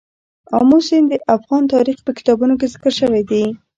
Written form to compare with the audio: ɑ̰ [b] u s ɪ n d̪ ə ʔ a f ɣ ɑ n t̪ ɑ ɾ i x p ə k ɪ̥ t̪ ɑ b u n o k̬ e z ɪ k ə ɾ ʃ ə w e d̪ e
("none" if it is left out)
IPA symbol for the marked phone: m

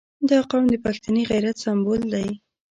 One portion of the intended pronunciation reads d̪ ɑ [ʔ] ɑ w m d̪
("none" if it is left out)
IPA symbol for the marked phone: q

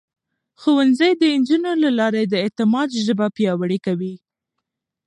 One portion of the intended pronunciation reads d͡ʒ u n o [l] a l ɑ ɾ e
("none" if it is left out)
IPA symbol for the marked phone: l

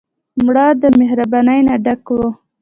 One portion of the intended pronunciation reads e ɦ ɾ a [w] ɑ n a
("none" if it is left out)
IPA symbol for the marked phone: b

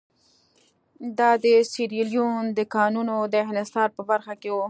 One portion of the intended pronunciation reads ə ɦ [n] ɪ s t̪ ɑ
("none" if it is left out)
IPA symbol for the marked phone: n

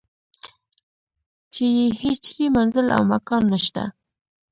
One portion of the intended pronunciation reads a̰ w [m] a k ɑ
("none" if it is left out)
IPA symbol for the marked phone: m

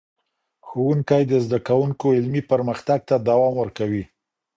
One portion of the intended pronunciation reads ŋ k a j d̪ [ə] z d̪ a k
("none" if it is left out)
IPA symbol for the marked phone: ə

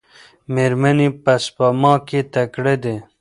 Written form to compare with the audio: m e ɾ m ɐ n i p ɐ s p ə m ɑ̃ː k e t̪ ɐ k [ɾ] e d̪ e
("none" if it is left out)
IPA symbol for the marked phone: ɽ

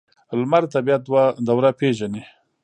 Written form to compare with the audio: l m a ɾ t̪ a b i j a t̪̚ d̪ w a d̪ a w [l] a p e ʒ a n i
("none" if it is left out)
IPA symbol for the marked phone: ɾ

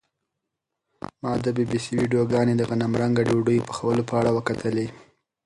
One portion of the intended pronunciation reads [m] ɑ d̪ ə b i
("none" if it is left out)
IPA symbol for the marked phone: m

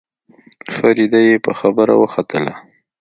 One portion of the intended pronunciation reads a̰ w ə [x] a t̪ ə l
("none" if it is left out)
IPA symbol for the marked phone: x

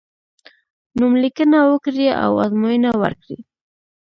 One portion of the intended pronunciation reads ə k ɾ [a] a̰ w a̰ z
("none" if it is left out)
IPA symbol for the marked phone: i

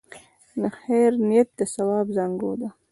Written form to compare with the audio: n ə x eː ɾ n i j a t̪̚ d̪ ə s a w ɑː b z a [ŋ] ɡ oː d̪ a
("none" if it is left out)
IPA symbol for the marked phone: ŋ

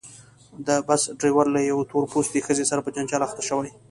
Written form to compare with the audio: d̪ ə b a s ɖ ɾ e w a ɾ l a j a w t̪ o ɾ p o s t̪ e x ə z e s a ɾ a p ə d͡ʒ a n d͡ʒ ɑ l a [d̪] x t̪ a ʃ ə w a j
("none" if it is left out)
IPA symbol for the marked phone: none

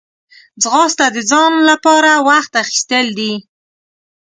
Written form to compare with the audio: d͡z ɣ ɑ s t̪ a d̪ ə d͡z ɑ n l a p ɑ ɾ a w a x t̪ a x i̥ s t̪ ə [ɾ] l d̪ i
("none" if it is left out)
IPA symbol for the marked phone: none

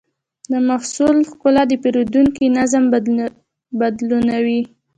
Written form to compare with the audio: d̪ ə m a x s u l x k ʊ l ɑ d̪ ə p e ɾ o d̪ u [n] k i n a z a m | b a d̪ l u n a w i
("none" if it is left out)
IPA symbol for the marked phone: ŋ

